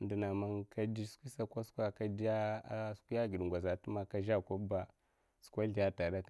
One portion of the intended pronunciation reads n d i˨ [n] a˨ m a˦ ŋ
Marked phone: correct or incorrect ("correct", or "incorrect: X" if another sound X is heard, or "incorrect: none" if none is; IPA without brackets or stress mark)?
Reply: correct